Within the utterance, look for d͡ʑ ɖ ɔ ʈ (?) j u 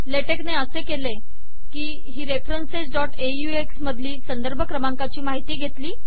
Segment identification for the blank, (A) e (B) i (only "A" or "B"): A